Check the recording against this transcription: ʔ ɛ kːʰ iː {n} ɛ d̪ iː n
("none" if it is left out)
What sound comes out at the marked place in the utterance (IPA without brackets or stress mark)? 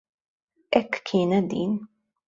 n